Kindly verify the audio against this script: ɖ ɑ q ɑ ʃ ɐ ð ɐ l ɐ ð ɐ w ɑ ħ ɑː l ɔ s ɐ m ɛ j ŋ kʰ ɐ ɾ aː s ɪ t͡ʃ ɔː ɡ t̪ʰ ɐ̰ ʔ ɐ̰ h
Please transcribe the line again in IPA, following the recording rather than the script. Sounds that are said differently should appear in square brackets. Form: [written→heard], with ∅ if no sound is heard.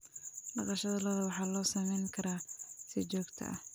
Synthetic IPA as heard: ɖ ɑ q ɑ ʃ ɐ ð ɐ l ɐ ð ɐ w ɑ ħ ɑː l [ɔ→ɔː] s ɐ m ɛ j ŋ kʰ ɐ ɾ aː s ɪ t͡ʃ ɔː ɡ t̪ʰ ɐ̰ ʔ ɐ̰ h